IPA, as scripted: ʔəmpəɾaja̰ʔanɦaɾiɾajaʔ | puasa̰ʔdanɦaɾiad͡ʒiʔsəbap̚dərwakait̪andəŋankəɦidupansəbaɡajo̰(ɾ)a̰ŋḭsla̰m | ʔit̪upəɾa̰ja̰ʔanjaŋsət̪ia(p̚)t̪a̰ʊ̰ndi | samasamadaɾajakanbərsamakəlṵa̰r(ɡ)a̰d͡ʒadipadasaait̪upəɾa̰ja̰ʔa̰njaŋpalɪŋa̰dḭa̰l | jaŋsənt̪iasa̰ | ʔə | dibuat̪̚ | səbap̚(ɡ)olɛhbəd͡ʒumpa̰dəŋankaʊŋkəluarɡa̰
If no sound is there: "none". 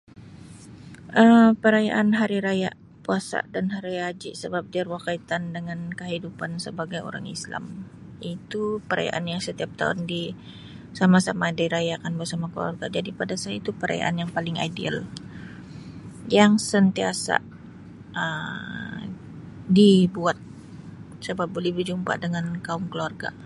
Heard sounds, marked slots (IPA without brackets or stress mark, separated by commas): ɾ, p̚, ɡ, b